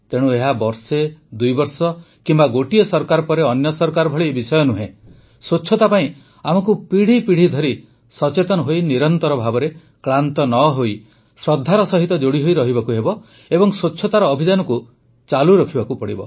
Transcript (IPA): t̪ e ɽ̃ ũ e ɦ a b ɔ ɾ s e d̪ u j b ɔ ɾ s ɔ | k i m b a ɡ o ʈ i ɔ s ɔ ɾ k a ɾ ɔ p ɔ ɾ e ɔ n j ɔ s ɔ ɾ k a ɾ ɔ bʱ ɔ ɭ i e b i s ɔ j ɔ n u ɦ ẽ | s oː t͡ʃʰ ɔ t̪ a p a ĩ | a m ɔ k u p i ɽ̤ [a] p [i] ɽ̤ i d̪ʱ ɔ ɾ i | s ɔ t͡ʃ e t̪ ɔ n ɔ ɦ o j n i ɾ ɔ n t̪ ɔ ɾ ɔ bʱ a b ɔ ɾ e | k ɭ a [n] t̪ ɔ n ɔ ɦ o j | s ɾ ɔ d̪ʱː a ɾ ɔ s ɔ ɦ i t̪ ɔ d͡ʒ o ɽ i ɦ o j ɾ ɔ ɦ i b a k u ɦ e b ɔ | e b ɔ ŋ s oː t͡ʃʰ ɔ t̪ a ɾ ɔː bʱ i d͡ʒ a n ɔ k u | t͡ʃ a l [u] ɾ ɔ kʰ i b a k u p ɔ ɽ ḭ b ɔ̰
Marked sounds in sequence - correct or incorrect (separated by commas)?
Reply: incorrect, correct, correct, correct